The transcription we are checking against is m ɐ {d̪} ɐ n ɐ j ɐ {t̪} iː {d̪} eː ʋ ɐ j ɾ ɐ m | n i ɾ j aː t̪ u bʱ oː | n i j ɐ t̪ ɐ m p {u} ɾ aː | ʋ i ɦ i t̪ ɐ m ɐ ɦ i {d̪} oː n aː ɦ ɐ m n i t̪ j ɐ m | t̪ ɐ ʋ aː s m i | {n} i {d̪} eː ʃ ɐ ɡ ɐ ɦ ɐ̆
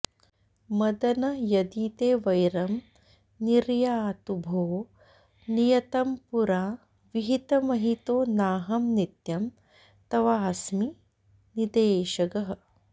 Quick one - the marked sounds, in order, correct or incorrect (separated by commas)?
correct, incorrect, incorrect, correct, incorrect, correct, correct